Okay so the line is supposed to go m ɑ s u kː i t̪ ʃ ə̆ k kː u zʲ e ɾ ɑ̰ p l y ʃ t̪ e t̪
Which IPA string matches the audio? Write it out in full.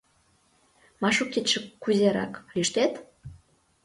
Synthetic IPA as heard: m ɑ ʃ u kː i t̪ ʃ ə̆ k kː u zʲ e ɾ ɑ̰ k l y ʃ t̪ e t̪